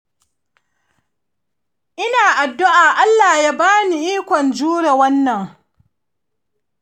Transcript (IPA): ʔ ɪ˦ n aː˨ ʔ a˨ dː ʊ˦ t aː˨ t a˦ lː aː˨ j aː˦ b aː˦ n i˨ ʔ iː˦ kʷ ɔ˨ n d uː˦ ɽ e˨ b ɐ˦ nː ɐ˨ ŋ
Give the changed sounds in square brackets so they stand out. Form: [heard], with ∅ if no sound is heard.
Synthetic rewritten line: ʔ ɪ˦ n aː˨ ʔ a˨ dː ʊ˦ [ʔ] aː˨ [ʔ] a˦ lː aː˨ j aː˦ b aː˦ n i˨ ʔ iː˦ kʷ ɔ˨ n [d͡ʒ] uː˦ ɽ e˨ [w] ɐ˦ nː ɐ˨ ŋ

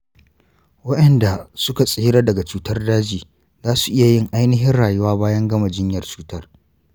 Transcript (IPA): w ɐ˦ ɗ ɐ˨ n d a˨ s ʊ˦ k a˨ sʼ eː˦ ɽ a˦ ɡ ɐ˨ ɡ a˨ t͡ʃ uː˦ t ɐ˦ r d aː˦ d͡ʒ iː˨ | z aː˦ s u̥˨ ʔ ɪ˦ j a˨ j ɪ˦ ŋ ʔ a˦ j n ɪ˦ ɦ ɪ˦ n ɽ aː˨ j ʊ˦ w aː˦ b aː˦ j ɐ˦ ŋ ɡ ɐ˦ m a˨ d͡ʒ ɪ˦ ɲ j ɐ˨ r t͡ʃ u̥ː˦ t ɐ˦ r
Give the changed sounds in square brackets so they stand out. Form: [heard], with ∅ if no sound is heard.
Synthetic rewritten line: w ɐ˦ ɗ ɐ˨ n d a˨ s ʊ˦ k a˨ sʼ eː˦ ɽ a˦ [d] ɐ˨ ɡ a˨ t͡ʃ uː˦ t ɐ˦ r d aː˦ d͡ʒ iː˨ | z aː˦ s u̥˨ ʔ ɪ˦ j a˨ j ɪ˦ ŋ ʔ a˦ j n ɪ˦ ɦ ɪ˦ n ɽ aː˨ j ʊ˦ w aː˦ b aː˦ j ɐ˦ ŋ ɡ ɐ˦ m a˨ d͡ʒ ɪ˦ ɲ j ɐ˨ r t͡ʃ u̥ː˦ t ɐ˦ r

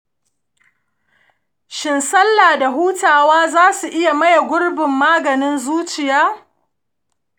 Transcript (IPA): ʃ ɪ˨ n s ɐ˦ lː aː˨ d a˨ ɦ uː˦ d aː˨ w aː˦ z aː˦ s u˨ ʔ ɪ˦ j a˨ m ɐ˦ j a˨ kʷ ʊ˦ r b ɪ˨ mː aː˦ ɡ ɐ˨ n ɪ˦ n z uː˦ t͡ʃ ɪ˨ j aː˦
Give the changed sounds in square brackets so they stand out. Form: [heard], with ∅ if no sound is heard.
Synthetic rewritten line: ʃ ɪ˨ n s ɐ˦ lː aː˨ d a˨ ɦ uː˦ [t] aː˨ w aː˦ z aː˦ s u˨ ʔ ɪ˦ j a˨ m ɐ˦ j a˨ [ɡʷ] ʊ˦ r b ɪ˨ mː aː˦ ɡ ɐ˨ n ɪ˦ n z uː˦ t͡ʃ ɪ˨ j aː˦

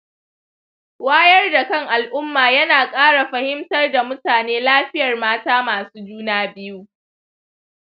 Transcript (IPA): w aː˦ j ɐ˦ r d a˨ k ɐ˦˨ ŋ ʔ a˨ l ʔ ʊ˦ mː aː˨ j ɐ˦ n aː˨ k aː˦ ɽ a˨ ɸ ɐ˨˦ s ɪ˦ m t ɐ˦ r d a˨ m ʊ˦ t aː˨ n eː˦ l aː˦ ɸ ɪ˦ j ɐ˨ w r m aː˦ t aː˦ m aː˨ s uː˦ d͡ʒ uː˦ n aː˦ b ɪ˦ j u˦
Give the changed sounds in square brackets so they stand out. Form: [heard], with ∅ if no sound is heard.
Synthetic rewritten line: w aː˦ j ɐ˦ r d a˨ k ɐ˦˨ ŋ ʔ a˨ l ʔ ʊ˦ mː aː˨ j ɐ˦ n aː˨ [kʼ] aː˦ ɽ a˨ ɸ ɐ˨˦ [h] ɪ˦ m t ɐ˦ r d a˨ m ʊ˦ t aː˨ n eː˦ l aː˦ ɸ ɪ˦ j ɐ˨ [∅] r m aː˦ t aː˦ m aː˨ s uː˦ d͡ʒ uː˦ n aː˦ b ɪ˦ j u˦

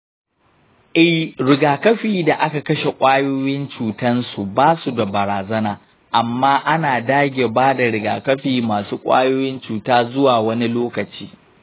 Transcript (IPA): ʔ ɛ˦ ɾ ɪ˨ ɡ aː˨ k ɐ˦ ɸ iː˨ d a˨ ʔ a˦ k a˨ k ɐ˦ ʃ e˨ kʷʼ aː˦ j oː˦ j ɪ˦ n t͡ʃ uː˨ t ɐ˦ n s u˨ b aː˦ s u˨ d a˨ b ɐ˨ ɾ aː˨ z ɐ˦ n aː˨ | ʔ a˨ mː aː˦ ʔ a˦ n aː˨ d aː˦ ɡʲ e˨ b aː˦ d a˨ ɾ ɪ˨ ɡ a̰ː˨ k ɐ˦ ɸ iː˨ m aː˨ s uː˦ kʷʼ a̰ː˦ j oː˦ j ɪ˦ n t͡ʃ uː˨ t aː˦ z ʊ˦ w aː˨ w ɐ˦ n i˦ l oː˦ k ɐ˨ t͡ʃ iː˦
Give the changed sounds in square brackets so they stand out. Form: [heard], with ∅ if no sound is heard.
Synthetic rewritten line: ʔ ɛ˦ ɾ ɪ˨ ɡ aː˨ k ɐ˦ ɸ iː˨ d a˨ ʔ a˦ k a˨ k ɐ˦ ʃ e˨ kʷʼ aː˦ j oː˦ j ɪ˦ n t͡ʃ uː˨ t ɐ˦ n s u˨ b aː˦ s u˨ d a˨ b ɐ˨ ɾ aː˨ z ɐ˦ n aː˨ | ʔ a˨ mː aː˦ ʔ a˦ n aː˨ d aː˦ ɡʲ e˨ b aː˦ d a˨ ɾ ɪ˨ ɡ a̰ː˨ k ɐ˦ ɸ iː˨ m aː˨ s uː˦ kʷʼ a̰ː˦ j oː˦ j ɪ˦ n t͡ʃ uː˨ t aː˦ z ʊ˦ w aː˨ w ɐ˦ n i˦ l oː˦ k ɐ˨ t͡ʃ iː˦

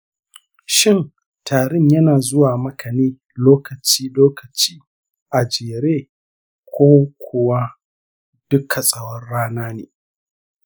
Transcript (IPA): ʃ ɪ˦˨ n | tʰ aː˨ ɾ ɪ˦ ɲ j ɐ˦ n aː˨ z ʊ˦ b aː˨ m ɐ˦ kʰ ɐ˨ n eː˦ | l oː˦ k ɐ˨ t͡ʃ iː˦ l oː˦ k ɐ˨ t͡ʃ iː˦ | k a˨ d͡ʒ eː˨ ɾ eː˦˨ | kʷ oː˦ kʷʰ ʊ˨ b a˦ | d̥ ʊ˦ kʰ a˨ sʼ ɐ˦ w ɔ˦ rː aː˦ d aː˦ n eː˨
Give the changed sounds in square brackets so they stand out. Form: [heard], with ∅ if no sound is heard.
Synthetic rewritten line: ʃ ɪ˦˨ n | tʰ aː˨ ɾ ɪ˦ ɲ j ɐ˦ n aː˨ z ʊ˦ [w] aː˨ m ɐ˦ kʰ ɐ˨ n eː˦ | l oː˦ k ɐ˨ t͡ʃ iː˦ l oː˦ k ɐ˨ t͡ʃ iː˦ | [ʔ] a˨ d͡ʒ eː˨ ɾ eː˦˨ | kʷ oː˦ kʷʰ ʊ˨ [w] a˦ | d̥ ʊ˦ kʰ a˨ sʼ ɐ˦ w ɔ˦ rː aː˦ [n] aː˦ n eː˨

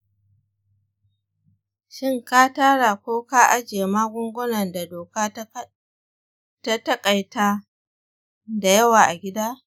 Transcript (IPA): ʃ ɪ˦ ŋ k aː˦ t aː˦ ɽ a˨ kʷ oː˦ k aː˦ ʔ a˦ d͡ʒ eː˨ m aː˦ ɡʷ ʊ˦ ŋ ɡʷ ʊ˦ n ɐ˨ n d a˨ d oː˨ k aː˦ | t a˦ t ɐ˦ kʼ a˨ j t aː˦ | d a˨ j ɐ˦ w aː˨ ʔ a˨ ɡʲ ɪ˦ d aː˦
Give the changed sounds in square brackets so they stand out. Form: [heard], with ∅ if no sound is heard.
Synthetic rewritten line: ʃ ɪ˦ ŋ k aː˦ t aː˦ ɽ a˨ kʷ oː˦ k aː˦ ʔ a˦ d͡ʒ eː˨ m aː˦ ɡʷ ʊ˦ ŋ ɡʷ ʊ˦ n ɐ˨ n d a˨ d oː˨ k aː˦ | t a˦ t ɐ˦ kʼ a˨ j t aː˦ | d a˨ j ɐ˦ w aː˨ ʔ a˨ ɡʲ ɪ˦ d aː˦

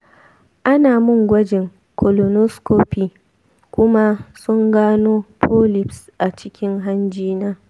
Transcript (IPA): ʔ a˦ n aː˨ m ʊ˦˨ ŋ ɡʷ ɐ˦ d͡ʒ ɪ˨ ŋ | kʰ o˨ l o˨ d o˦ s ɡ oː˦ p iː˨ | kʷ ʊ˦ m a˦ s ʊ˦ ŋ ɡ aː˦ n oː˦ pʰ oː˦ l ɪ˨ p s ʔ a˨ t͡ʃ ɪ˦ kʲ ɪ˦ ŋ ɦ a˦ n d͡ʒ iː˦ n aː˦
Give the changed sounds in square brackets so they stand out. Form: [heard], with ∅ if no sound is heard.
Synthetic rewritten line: ʔ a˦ n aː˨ m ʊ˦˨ ŋ ɡʷ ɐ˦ d͡ʒ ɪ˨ ŋ | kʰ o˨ l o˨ [n] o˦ s [k] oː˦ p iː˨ | kʷ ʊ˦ m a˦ s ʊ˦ ŋ ɡ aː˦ n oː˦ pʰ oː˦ l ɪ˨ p s ʔ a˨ t͡ʃ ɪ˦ kʲ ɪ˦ ŋ ɦ a˦ n d͡ʒ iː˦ n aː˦

